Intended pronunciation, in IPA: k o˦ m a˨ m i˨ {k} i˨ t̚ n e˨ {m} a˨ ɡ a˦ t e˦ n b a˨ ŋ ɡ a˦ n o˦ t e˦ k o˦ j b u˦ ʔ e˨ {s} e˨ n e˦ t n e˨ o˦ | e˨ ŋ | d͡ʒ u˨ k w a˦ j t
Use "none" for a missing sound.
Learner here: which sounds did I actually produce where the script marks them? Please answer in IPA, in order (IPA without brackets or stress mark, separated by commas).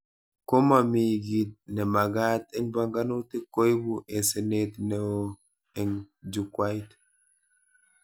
ɡ, m, s